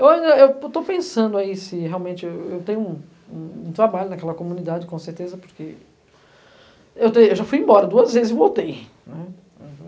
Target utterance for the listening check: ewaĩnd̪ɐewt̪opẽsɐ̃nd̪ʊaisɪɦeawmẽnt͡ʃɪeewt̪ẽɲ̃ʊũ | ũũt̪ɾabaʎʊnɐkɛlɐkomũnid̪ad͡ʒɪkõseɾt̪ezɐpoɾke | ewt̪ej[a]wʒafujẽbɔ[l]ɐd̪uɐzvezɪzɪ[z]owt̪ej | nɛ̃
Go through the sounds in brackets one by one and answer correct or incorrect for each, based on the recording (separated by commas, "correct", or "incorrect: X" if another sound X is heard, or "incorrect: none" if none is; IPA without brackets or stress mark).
incorrect: e, incorrect: ɾ, incorrect: v